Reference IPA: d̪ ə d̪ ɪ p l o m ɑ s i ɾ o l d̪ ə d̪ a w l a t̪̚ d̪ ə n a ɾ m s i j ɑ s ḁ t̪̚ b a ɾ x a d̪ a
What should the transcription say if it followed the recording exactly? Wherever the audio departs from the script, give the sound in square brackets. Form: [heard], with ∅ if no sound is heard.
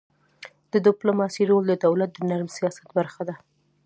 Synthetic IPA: d̪ ə d̪ ɪ p l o m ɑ s i ɾ o l d̪ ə d̪ a w l a t̪̚ d̪ ə n a ɾ m s i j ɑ s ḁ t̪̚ b a ɾ x a d̪ a